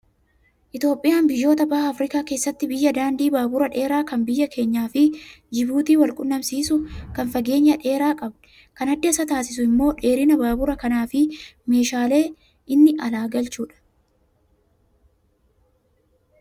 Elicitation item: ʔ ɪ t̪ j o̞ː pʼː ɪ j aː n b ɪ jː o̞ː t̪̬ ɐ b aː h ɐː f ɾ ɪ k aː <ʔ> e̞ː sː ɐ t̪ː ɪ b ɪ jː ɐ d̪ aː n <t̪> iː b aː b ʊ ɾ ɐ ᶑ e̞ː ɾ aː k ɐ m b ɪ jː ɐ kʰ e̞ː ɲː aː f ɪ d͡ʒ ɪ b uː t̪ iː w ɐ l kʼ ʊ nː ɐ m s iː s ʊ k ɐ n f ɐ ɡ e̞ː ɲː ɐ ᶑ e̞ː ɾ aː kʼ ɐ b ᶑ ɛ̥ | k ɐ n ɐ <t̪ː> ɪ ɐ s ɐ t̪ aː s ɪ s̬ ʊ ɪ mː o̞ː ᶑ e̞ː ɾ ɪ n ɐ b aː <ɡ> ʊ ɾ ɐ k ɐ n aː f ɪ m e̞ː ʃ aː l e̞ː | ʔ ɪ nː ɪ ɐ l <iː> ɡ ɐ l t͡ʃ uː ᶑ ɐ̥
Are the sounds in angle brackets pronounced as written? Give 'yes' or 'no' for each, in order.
no, no, no, no, no

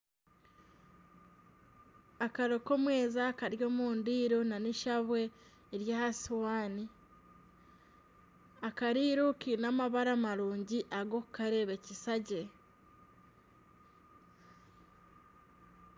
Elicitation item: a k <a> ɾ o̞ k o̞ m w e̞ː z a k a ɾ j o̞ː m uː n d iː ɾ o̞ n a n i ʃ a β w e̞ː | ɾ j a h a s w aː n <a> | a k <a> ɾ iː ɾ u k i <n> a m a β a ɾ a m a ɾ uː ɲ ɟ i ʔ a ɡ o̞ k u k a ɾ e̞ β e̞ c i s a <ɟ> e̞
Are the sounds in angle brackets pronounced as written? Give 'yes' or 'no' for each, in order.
yes, no, yes, yes, yes

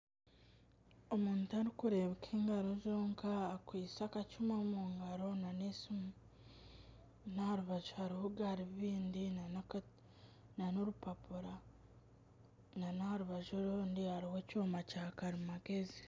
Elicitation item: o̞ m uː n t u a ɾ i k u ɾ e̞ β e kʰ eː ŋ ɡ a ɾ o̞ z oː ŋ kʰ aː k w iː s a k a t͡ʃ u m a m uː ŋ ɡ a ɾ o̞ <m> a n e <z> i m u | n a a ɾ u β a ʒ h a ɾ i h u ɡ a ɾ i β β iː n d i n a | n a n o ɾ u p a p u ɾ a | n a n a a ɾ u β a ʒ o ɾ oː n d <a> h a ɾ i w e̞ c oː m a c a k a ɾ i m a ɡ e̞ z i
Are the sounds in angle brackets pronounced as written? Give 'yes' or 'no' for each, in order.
no, no, no

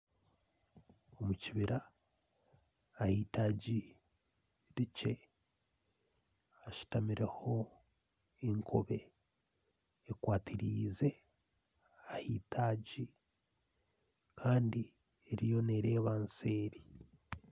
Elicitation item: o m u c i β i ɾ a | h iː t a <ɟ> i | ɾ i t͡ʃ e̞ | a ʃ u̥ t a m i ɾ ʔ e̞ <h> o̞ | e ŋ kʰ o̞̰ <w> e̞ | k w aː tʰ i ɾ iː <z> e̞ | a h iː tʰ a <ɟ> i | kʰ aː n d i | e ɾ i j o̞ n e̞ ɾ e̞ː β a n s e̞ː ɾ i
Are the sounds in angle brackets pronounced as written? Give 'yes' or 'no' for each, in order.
yes, yes, no, yes, yes

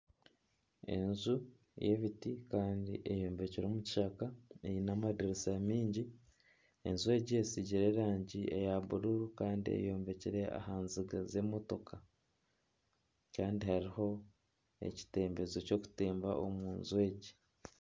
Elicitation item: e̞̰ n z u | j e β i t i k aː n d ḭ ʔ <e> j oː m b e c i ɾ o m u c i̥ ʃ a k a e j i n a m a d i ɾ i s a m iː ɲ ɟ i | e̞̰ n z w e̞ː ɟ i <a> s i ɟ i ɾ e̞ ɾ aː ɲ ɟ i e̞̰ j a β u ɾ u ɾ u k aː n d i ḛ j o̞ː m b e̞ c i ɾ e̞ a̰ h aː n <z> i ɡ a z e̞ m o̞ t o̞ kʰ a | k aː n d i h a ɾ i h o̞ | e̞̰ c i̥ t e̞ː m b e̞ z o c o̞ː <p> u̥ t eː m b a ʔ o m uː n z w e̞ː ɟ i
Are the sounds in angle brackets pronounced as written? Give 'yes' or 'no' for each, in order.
yes, no, yes, no

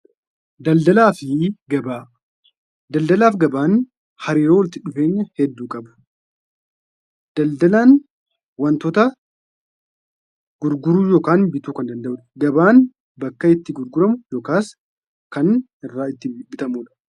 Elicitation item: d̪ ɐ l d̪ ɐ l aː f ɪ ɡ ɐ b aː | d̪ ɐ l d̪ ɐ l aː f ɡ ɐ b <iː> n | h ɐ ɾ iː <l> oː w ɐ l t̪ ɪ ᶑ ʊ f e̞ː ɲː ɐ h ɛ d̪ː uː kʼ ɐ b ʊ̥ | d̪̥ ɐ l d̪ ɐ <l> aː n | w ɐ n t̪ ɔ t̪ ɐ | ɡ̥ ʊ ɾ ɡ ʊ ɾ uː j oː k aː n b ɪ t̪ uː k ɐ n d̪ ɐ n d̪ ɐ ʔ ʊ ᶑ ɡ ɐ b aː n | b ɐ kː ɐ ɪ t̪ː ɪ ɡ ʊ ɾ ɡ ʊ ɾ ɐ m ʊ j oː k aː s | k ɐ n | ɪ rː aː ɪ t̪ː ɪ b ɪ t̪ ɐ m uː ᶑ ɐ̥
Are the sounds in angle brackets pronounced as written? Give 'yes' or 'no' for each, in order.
no, no, yes

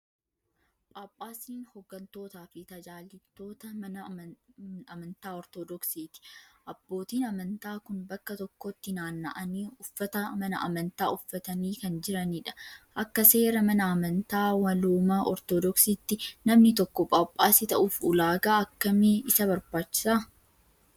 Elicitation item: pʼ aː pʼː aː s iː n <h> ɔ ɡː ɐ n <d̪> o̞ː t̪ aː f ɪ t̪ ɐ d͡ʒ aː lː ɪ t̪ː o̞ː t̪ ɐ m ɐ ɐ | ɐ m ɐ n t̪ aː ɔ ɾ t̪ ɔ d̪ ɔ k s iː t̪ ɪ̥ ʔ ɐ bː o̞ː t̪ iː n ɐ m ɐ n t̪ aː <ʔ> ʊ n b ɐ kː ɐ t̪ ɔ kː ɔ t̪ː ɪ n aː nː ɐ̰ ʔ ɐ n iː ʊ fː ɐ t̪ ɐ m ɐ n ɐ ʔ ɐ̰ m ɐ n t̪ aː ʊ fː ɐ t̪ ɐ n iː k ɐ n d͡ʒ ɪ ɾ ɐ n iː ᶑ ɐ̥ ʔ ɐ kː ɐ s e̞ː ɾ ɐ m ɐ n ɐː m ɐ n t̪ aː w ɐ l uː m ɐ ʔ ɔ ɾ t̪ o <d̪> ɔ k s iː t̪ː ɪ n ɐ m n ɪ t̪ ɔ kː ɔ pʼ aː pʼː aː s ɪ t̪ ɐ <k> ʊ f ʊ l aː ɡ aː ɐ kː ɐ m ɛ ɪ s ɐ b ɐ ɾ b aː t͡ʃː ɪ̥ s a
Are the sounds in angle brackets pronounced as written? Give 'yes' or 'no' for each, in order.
yes, no, no, yes, no

